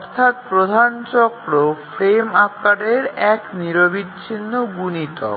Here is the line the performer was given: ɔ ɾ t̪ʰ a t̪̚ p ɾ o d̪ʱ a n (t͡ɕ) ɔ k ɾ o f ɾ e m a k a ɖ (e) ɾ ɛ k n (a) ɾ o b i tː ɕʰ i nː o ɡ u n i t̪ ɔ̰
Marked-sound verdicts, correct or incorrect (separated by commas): correct, correct, incorrect